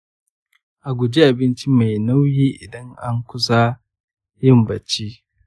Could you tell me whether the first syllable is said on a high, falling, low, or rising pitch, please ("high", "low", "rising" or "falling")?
low